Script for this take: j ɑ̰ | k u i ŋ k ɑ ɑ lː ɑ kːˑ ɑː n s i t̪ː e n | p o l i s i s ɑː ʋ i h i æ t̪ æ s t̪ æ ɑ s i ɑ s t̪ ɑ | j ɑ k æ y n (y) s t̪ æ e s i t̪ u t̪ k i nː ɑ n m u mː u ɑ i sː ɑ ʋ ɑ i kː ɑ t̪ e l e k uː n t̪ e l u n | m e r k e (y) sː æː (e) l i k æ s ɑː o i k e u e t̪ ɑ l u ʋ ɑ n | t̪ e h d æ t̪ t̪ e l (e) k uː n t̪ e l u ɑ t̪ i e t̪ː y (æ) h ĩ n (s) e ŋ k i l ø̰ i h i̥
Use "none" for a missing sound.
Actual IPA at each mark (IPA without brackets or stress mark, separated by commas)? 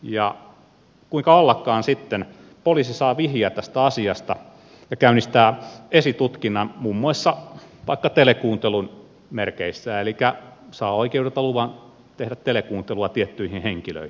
i, i, e, e, i, h